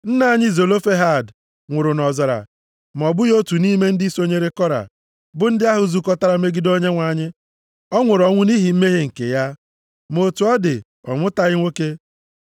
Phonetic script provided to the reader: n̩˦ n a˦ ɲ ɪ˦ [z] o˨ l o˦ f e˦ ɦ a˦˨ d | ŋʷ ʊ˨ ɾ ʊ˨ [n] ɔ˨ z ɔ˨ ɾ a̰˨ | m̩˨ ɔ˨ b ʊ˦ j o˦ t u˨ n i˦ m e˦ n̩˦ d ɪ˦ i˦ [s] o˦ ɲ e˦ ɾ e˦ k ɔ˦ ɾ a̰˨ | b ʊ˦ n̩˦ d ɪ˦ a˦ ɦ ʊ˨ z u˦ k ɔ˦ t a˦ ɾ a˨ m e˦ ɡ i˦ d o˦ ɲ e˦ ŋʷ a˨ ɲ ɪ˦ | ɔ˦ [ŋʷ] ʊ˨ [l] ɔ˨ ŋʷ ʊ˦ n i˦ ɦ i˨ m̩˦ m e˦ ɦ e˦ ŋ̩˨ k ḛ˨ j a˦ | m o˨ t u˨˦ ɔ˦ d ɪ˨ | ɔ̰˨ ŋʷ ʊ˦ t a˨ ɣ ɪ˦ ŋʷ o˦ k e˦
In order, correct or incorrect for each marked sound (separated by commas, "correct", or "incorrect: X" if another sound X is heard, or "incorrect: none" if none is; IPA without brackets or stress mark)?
correct, correct, correct, correct, incorrect: ɾ